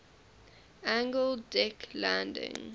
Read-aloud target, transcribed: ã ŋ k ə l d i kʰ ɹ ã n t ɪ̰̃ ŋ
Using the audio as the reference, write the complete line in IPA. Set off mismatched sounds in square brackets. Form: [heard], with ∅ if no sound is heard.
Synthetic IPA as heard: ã ŋ [ɡ] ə l d [ɛ] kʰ [l] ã n [d] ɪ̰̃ ŋ

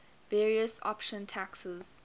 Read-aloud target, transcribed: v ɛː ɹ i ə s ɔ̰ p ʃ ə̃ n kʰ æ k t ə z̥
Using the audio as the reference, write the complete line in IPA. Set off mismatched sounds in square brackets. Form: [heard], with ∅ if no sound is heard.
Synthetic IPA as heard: v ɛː ɹ i ə s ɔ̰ p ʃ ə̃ n [tʰ] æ k [s] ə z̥

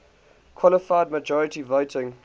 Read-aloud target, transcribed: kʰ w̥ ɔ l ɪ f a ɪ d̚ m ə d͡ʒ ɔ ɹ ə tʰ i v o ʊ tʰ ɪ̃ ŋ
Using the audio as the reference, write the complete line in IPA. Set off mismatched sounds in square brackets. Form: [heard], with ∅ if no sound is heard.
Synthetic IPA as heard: kʰ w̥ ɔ l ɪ f a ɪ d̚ m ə d͡ʒ ɔ ɹ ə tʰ i v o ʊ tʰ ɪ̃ ŋ

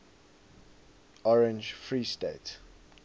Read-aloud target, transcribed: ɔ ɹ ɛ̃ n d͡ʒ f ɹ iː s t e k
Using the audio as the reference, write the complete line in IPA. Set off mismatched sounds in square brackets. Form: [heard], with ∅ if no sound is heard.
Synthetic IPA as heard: ɔ ɹ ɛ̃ n d͡ʒ f ɹ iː s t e [t]

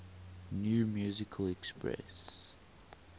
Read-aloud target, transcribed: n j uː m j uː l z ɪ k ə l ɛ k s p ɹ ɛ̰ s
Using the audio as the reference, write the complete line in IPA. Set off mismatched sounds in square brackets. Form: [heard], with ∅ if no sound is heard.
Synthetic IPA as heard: n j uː m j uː [∅] z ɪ [kʰ] ə l ɛ k s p ɹ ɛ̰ s

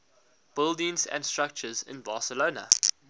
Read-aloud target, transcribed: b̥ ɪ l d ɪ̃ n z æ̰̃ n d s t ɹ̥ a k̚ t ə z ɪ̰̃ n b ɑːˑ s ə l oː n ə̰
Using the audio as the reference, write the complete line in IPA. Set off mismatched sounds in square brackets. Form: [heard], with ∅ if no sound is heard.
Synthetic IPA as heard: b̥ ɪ l d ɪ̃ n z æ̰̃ n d s t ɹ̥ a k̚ [t͡ʃ] ə z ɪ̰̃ n b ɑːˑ s ə l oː n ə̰

